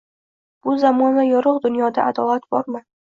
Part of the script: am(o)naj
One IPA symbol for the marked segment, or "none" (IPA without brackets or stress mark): ɒ